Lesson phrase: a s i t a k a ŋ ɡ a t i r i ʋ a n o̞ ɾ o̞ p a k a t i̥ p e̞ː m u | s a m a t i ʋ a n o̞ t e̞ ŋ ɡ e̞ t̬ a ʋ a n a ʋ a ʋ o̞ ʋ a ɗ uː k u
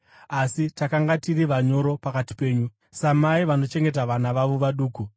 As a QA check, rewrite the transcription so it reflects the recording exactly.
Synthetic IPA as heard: a s i t a k a ŋ ɡ a t i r i ʋ a ɲ o̞ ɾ o̞ p a k a t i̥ p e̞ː ɲ u | s a m a i ʋ a n o̞ t͡ʃ e̞ ŋ ɡ e̞ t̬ a ʋ a n a ʋ a ʋ o̞ ʋ a ɗ uː k u